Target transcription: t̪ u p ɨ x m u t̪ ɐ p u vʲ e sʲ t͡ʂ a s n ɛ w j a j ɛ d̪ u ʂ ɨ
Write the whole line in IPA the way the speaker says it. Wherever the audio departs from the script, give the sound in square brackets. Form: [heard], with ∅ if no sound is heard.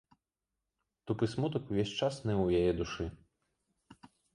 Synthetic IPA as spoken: t̪ u p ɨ [s] m u t̪ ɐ [k] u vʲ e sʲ t͡ʂ a s n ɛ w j a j ɛ d̪ u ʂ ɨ